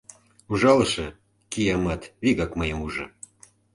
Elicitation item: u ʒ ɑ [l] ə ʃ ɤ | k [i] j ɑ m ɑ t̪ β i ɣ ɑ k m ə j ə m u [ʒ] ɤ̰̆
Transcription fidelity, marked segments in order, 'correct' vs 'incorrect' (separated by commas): correct, correct, correct